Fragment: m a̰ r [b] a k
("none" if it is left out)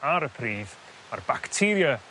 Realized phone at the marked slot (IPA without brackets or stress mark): b